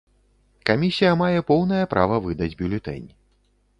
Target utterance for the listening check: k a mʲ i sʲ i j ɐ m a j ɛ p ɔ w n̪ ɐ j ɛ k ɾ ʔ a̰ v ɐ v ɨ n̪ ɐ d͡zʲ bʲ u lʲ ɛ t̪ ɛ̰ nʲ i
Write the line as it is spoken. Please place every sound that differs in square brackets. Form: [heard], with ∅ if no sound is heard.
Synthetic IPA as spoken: k a mʲ i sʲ i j ɐ m a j ɛ p ɔ w n̪ ɐ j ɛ [p] ɾ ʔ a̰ v ɐ v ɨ [d̪] ɐ d͡zʲ bʲ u lʲ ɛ t̪ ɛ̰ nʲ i